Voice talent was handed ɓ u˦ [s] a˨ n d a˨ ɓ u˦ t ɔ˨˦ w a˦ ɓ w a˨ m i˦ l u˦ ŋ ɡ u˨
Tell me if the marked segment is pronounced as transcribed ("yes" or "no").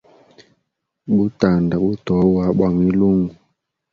no